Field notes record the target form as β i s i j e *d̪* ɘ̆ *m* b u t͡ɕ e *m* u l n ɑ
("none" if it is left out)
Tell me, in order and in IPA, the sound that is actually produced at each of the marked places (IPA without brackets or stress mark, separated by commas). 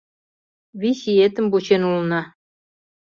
t̪, m, n